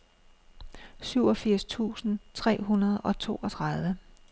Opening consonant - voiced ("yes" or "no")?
no